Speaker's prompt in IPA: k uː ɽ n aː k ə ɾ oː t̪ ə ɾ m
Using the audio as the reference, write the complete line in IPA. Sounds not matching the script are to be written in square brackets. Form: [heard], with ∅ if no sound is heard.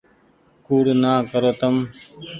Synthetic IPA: k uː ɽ n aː k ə ɾ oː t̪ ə [∅] m